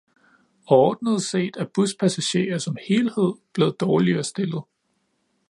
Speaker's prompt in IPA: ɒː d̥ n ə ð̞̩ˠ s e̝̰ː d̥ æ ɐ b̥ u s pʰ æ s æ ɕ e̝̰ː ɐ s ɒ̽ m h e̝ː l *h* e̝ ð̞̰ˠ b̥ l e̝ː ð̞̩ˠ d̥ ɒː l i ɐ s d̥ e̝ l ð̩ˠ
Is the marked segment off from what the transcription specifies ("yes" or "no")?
no